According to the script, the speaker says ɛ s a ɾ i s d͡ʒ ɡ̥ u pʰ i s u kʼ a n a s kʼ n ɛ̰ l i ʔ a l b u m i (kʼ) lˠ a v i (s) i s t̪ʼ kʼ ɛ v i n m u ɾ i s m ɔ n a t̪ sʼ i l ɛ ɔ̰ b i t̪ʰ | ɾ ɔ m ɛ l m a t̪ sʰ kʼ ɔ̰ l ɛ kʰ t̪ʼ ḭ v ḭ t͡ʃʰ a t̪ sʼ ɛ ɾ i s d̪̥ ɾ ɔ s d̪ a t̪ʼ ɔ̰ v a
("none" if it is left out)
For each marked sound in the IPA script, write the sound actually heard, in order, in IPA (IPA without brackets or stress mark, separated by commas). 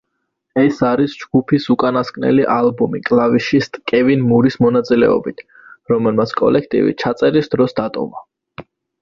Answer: kʼ, ʃ